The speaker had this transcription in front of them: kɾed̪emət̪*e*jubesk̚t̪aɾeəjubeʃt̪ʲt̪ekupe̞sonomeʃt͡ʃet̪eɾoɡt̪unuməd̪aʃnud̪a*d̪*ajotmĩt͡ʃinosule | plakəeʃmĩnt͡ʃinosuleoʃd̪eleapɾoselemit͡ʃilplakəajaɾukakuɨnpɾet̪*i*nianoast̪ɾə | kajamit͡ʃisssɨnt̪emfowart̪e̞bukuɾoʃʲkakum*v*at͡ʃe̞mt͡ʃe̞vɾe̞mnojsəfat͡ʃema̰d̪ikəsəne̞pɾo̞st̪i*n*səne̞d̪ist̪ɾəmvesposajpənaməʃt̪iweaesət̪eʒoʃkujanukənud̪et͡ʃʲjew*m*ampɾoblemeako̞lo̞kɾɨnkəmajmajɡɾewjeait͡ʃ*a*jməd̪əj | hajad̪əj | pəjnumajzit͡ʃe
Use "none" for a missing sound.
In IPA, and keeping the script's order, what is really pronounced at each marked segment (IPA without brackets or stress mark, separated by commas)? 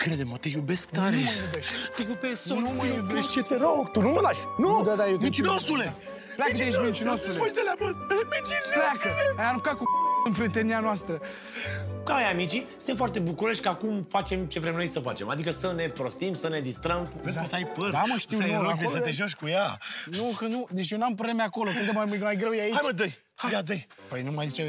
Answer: e, d̪, e, f, m, n, a